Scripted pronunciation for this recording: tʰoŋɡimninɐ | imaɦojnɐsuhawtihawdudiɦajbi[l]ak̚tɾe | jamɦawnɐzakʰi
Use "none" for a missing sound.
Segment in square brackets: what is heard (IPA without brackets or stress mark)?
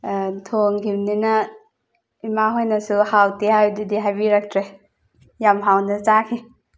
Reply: ɾ